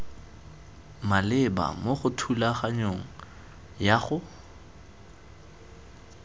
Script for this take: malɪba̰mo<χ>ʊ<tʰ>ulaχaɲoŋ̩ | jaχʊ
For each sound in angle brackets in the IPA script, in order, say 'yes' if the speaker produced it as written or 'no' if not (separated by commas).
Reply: yes, yes